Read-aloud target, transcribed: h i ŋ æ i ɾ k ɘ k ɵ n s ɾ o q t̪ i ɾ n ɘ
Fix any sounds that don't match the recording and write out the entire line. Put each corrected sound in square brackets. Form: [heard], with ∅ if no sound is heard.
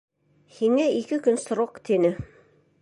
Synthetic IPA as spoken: h i ŋ æ i [∅] k ɘ k ɵ n s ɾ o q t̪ i [∅] n ɘ